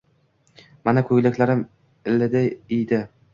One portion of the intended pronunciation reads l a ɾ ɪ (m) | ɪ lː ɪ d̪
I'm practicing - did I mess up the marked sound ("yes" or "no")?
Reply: no